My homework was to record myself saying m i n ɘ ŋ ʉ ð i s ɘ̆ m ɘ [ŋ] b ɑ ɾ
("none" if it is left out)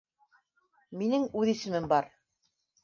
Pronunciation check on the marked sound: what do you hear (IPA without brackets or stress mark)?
m